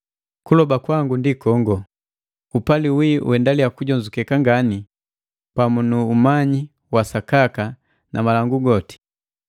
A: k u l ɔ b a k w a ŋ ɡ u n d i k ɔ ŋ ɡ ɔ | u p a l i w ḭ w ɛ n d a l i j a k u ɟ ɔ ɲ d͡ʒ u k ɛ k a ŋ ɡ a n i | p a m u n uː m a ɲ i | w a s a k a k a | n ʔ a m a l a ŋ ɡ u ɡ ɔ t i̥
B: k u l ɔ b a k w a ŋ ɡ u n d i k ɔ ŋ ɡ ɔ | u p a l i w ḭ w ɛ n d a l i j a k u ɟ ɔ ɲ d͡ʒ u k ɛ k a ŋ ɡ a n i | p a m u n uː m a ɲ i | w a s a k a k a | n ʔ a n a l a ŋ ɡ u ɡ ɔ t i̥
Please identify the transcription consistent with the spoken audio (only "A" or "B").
A